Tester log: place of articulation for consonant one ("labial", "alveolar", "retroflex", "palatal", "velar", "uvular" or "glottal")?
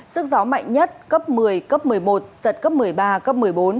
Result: alveolar